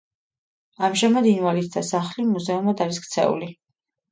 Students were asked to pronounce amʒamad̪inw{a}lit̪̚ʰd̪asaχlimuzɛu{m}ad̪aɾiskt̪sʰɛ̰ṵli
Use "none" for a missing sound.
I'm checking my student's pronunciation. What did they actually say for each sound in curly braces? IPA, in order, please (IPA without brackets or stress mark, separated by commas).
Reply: a, m